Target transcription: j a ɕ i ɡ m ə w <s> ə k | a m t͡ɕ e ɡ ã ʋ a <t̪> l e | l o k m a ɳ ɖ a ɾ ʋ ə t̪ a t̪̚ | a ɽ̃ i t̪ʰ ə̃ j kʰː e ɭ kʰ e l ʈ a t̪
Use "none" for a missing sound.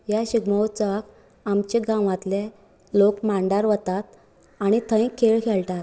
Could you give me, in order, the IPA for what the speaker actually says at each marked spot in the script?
t͡s, t̪

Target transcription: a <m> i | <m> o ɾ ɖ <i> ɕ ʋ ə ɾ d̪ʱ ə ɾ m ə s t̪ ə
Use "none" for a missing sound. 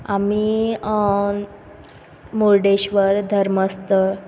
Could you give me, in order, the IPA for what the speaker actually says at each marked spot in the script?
m, m, e

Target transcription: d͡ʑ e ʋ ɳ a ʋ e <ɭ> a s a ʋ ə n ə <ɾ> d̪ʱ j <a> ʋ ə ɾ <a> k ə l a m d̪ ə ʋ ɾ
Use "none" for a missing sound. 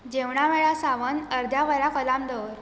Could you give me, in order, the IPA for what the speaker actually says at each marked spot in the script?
ɭ, ɾ, a, a

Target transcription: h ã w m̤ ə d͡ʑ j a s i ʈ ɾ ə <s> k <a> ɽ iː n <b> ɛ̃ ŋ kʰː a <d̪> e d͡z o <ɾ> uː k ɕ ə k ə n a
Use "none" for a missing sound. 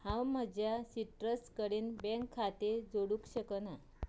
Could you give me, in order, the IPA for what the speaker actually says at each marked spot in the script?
s, ə, b, t̪, ɽ

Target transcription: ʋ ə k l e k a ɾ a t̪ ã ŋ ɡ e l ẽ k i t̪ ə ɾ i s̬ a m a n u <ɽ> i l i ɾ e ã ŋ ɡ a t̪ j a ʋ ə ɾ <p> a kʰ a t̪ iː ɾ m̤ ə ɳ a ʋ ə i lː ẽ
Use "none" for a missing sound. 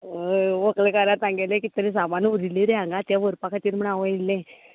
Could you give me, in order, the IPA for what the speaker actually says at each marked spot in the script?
ɾ, p

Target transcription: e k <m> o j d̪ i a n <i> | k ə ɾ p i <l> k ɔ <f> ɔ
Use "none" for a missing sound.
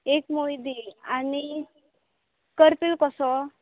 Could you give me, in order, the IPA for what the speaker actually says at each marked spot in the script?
m, i, l, s

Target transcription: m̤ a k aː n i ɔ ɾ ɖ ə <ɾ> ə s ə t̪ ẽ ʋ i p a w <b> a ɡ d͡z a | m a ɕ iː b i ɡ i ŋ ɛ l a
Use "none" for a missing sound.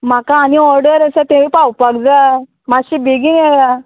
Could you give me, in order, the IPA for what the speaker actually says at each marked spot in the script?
ɾ, p

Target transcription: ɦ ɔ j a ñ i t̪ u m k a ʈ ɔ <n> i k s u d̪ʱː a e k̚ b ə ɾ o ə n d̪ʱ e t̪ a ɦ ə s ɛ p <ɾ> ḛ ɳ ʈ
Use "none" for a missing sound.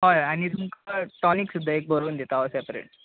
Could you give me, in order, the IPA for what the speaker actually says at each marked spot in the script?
n, ɾ

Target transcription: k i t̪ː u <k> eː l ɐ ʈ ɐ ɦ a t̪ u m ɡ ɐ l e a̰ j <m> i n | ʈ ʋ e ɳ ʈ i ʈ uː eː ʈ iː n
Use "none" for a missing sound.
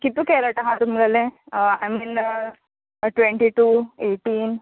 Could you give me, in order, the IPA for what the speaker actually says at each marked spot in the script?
k, m

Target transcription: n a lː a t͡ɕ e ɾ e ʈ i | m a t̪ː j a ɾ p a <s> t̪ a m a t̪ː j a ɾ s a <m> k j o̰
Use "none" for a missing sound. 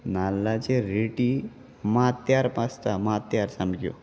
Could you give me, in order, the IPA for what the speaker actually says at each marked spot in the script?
s, m

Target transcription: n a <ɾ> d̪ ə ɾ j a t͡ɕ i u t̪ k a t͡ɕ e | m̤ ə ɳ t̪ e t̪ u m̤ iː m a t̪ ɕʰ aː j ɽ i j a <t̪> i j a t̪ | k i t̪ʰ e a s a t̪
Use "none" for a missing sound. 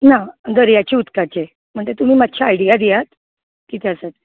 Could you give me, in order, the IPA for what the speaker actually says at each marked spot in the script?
none, d̪

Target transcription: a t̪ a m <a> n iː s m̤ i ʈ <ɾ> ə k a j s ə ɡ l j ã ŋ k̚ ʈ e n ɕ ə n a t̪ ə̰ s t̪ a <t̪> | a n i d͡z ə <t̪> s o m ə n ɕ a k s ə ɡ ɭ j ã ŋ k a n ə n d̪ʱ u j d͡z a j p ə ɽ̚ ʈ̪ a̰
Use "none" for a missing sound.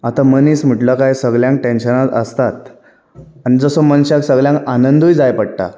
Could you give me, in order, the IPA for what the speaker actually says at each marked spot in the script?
ə, l, t̪, none

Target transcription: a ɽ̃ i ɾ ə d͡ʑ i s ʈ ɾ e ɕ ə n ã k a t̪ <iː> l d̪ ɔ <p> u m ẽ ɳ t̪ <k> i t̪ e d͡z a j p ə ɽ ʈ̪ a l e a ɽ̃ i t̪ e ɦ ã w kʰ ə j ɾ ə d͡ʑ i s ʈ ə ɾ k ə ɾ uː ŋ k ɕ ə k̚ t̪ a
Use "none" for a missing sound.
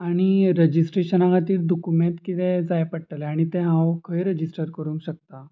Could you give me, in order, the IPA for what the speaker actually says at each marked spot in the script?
iː, k, k

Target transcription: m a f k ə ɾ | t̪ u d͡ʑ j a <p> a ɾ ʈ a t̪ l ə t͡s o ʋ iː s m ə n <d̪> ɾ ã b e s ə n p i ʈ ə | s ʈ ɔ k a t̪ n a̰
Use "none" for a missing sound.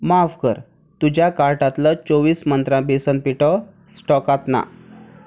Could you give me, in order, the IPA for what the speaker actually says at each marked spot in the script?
k, t̪

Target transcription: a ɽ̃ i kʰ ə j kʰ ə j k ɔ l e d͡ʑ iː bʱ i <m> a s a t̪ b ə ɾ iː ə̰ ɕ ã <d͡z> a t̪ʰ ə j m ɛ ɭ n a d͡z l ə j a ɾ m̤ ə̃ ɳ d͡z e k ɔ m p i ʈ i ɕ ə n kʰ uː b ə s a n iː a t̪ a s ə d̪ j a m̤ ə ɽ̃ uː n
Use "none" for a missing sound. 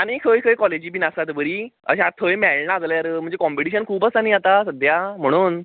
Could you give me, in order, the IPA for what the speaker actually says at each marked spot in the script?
n, none

